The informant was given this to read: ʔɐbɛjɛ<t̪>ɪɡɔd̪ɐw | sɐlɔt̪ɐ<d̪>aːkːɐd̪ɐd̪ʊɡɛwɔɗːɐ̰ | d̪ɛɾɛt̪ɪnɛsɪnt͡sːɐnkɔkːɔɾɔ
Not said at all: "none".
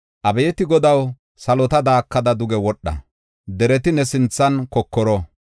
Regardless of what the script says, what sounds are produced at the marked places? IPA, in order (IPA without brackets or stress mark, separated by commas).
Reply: t̪, d̪